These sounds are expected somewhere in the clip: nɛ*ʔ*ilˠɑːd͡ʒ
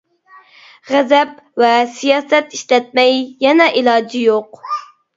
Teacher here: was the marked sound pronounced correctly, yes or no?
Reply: yes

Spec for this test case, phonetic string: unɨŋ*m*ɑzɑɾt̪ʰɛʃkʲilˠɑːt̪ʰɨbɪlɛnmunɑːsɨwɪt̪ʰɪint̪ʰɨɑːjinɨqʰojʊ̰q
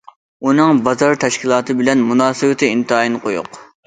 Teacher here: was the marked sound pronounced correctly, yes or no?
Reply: no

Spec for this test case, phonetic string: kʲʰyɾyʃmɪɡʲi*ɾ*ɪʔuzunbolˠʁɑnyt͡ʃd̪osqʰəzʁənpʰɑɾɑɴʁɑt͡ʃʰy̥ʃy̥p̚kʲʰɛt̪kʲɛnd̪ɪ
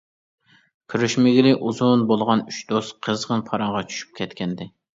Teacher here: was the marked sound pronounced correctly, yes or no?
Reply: no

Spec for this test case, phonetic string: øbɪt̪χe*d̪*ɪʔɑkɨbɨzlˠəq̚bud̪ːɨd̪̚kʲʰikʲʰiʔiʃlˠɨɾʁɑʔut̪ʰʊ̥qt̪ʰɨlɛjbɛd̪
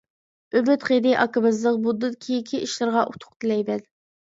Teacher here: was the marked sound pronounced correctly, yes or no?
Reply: yes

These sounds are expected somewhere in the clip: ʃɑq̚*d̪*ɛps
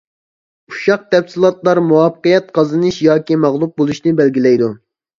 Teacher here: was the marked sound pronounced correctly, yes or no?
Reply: no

